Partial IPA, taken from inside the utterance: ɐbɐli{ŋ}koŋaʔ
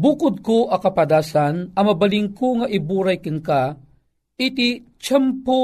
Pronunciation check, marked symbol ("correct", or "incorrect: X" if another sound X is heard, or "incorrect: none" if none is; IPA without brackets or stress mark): correct